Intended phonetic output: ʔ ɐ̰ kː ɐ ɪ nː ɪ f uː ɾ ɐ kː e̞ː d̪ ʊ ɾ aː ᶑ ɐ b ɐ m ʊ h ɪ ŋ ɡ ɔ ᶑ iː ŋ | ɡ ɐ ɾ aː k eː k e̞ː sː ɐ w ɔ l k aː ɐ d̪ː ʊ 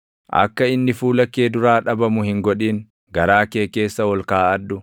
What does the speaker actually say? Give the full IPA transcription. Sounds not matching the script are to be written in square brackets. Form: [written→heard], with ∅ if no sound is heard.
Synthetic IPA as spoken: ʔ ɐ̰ kː ɐ ɪ nː ɪ f uː [ɾ→l] ɐ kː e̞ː d̪ ʊ ɾ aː ᶑ ɐ b ɐ m ʊ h ɪ ŋ ɡ ɔ ᶑ iː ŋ | ɡ ɐ ɾ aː k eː k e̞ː sː ɐ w ɔ l k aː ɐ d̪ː ʊ